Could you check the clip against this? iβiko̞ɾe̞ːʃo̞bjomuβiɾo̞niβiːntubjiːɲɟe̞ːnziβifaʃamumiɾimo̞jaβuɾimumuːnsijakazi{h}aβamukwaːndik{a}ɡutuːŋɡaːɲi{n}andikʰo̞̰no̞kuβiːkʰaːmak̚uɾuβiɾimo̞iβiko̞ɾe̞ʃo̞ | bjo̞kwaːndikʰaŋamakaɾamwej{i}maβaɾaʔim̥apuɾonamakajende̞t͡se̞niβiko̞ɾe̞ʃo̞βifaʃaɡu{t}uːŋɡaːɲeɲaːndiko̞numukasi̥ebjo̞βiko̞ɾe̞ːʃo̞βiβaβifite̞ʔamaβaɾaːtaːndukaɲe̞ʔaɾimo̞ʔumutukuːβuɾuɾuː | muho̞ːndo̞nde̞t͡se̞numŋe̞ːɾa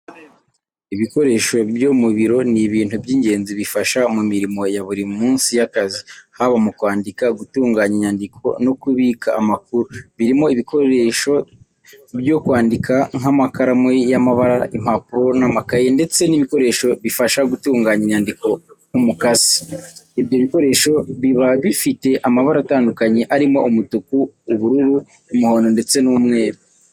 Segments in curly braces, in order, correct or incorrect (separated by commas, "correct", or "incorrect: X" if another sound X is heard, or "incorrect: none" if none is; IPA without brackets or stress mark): correct, correct, incorrect: ɲ, incorrect: a, correct